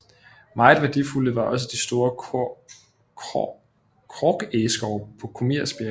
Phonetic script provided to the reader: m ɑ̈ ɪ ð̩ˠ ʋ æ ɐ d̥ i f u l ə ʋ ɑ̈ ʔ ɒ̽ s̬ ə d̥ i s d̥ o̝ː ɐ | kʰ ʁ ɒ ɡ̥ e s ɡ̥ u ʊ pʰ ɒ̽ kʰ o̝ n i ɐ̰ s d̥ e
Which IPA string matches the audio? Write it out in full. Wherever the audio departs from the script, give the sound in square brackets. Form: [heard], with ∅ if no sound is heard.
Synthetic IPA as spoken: m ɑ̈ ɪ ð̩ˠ ʋ æ ɐ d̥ i f u l ə ʋ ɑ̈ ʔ ɒ̽ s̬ ə d̥ i s d̥ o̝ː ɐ | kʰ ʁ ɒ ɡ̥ e s ɡ̥ [ɒ] ʊ pʰ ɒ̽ kʰ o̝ [m] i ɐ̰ s [b̥] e